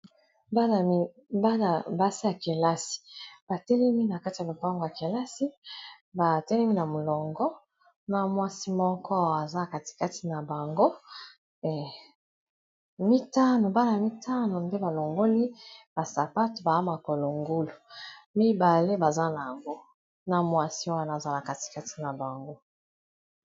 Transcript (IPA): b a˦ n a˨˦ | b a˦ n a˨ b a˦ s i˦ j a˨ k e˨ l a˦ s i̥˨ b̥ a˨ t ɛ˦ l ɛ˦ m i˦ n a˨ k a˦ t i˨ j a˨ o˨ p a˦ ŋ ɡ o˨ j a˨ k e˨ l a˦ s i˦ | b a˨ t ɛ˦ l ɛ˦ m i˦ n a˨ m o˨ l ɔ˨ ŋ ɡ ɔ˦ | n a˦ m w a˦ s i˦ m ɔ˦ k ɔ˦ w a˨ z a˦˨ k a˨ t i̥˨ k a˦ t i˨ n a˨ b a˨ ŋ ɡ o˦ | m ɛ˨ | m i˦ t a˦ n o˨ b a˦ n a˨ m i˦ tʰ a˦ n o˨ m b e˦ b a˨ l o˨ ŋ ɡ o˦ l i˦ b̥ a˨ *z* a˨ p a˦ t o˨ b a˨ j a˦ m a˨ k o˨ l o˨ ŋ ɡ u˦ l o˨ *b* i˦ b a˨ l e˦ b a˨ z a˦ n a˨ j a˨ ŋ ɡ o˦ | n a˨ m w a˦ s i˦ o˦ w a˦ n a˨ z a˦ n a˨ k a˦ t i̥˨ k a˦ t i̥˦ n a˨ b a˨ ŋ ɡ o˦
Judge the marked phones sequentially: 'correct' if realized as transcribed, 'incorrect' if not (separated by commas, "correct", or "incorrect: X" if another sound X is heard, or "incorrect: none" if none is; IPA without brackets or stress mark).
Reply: incorrect: s, incorrect: m